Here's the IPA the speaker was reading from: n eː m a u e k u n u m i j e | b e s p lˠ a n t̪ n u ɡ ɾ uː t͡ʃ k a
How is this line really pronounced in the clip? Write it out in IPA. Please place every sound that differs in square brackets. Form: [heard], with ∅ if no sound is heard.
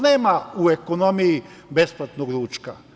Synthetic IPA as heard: n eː m a u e k [o] n [o] m i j [i] | b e s p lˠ a [∅] t̪ n [o] ɡ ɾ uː t͡ʃ k a